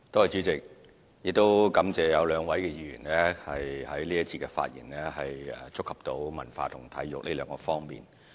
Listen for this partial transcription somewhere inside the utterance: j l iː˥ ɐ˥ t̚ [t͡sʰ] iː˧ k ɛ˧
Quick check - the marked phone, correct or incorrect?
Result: correct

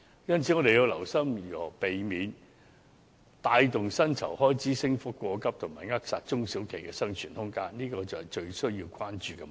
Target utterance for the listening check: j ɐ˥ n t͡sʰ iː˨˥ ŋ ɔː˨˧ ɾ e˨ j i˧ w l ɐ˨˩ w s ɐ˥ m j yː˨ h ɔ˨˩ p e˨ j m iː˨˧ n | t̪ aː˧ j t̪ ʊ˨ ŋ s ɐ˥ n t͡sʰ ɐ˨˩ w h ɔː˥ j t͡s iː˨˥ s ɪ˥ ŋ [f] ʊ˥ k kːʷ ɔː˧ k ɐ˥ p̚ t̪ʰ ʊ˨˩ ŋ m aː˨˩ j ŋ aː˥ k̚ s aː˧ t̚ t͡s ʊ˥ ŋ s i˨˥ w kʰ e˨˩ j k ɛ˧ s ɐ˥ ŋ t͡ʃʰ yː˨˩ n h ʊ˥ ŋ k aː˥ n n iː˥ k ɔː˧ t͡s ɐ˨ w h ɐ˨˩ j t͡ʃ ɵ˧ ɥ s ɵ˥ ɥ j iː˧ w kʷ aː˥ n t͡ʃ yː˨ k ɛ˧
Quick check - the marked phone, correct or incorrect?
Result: correct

